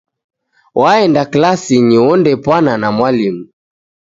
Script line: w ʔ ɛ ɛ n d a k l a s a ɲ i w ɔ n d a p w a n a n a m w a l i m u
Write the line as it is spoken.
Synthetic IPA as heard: w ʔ a ɛ n d a k l a s i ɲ i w ɔ n d ɛ p w a n a n a m w a l i m u

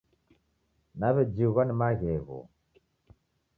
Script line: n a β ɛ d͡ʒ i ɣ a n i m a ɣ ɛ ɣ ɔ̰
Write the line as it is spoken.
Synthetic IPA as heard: n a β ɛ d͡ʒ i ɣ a n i m a ɣ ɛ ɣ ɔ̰

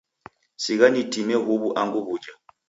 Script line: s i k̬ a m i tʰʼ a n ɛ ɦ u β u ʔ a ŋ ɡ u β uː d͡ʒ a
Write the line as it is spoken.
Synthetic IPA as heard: s i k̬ a n i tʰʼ i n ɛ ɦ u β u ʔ a ŋ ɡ u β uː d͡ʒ a

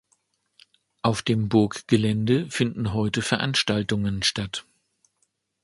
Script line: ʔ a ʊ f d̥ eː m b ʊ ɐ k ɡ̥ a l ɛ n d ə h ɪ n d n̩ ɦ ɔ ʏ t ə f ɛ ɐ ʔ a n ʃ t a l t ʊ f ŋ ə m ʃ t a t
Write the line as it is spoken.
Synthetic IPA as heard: ʔ a ʊ f d̥ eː m b ʊ ɐ k ɡ̥ ə l ɛ n d ə f ɪ n d n̩ ɦ ɔ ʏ t ə f ɛ ɐ ʔ a n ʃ t a l t ʊ ŋ ə n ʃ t a t

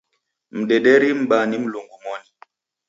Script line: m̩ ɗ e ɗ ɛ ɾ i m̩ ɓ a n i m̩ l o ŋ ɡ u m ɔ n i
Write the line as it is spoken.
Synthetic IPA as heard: m̩ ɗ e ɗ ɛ ɾ i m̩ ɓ a n i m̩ l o ŋ ɡ u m ɔ n i

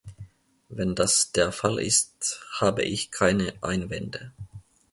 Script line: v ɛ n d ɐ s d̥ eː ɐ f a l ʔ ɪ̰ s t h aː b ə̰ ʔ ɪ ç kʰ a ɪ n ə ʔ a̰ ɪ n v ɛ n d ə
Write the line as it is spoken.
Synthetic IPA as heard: v ɛ n d a s d̥ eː ɐ f a l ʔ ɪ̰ s t h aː b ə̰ ʔ ɪ ç kʰ a ɪ n ə ʔ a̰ ɪ n v ɛ n d ə

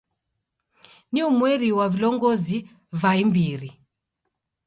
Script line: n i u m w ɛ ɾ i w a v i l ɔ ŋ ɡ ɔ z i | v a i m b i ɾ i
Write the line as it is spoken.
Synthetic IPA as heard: n i u m w ɛ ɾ i w a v i l ɔ ŋ ɡ ɔ z i | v a i m b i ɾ i

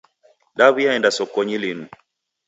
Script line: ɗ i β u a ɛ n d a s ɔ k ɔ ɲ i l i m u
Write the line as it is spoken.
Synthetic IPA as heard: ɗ a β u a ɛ n d a s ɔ k ɔ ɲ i l i n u

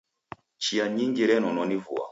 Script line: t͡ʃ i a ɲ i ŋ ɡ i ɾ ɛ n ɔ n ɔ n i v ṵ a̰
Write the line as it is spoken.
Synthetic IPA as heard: t͡ʃ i a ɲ i ŋ ɡ i ɾ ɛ n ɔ n ɔ n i v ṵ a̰

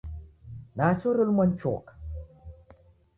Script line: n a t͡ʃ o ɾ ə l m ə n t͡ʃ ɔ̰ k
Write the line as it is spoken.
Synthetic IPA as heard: n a t͡ʃ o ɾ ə l m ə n t͡ʃ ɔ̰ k

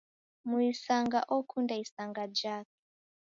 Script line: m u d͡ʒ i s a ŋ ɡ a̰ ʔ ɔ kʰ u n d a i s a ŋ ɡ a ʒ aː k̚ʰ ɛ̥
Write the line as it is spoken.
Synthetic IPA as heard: m u i s a ŋ ɡ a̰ ʔ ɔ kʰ u n d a i s a ŋ ɡ a d͡ʒ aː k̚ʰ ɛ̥

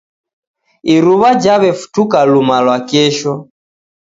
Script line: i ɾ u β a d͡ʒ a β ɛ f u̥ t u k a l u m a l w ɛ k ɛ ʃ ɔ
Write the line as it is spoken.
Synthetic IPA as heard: i ɾ u β a d͡ʒ a β ɛ f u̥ t u k a l u m a l w a k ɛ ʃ ɔ

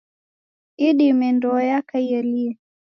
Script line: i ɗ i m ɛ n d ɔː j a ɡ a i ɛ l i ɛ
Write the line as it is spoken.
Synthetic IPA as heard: i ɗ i m ɛ n d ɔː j a k a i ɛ l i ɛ

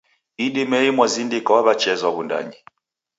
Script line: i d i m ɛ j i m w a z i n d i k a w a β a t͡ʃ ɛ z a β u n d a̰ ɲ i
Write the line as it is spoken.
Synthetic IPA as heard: i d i m ɛ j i m w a z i n d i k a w a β a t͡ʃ ɛ z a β u n d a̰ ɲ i

